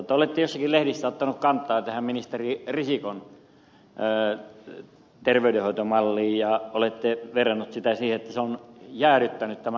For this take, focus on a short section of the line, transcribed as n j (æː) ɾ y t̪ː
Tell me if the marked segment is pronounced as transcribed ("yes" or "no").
yes